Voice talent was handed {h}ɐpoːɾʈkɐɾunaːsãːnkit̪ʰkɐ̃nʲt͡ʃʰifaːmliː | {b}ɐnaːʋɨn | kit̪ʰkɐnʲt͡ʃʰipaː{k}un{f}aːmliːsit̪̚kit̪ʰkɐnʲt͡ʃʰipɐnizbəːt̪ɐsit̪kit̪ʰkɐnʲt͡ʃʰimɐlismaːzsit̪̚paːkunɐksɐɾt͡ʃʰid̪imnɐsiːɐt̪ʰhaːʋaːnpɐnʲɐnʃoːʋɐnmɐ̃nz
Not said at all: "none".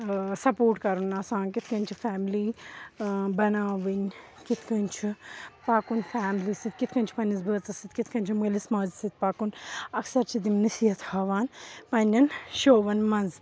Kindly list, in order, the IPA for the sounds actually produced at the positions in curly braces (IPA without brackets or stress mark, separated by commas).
s, b, k, f